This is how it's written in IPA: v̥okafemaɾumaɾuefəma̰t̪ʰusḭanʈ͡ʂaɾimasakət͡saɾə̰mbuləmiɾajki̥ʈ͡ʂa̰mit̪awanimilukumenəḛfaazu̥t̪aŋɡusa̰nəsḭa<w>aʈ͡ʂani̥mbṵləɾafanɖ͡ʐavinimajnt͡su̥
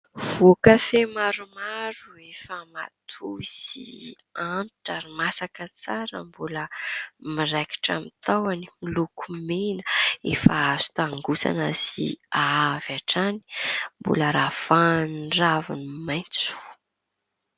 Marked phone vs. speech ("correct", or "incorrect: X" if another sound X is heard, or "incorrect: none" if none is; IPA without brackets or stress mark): incorrect: v